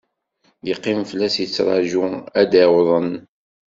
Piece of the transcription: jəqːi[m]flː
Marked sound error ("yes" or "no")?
no